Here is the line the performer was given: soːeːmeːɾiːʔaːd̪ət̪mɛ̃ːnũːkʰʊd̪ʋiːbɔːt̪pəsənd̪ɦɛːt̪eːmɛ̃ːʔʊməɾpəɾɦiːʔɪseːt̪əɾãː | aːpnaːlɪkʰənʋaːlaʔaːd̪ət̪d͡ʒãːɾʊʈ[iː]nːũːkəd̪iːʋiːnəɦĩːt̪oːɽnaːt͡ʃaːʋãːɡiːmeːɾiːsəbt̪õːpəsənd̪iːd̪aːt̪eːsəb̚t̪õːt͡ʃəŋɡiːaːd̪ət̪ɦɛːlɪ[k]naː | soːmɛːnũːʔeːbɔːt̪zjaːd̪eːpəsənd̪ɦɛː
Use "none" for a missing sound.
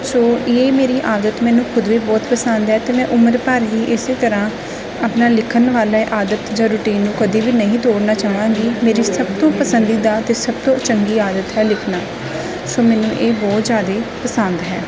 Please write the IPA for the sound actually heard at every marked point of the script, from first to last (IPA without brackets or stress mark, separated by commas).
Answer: iː, kʰ